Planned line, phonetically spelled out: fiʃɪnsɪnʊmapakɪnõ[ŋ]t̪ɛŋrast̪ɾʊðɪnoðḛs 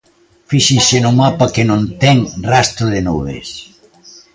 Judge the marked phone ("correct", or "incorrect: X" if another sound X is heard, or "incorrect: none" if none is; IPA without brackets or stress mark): incorrect: n